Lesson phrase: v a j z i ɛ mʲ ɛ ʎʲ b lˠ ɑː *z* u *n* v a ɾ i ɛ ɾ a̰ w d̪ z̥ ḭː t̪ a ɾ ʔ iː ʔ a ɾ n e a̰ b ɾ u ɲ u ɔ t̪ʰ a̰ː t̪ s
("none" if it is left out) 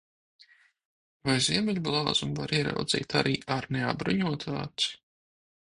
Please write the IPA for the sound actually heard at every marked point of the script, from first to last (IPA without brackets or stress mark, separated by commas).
z, m